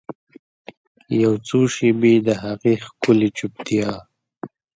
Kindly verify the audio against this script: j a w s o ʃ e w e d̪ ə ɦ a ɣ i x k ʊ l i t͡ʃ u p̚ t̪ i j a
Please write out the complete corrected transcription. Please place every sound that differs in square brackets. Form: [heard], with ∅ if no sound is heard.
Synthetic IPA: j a w [t͡s] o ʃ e [b] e d̪ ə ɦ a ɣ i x k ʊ l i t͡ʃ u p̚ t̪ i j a